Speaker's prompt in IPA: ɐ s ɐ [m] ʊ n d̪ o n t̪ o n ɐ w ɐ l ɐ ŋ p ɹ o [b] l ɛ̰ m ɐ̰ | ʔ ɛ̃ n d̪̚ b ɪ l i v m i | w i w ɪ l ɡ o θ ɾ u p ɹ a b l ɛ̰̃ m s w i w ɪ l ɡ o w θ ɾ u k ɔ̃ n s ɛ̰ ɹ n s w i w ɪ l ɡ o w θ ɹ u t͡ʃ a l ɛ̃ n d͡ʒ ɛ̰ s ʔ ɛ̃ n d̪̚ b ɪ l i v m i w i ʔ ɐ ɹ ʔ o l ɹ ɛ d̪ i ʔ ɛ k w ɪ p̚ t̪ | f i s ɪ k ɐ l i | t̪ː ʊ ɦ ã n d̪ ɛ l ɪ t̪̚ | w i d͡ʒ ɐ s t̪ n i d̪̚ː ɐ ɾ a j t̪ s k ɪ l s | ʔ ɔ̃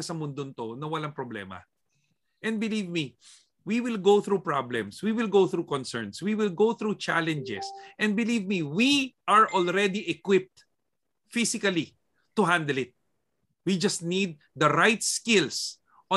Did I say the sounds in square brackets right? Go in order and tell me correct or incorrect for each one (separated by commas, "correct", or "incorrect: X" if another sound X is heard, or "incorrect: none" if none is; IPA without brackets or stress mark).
correct, correct